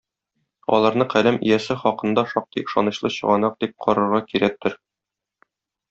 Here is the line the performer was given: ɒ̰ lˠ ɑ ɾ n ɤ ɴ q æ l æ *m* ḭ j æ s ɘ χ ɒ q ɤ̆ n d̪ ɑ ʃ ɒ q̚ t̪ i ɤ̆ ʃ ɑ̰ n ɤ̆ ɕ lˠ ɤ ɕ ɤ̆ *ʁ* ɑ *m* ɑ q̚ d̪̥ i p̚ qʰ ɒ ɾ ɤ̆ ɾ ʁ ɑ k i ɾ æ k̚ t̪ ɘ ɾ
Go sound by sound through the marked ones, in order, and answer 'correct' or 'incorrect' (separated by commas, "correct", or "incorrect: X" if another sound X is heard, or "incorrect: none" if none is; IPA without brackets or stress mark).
correct, correct, incorrect: n